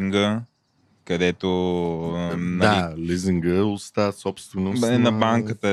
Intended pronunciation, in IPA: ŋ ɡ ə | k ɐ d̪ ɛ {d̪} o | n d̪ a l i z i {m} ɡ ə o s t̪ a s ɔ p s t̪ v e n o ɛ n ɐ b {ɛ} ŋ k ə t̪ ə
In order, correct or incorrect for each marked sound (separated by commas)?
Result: incorrect, incorrect, incorrect